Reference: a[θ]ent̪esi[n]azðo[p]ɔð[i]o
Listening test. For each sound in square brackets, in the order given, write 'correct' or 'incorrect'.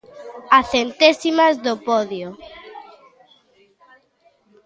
correct, incorrect, correct, incorrect

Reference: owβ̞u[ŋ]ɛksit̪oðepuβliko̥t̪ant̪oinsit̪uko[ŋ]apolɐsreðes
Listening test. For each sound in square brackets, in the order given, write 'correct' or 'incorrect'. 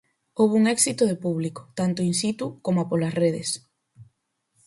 correct, incorrect

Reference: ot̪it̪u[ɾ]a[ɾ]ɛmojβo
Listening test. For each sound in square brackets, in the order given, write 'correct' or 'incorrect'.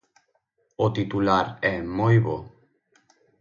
incorrect, correct

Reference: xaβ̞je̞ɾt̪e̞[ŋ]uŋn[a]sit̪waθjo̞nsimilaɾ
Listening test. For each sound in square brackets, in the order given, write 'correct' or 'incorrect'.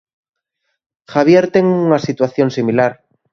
correct, correct

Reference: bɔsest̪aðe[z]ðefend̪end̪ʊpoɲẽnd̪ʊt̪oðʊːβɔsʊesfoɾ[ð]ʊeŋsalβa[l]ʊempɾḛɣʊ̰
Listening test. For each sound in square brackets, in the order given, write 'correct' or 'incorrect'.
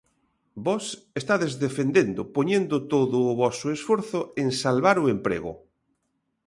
correct, incorrect, incorrect

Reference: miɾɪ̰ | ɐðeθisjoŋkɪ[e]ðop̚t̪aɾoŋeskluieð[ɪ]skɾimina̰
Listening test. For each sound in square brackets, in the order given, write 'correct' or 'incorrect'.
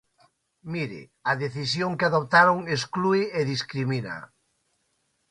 incorrect, incorrect

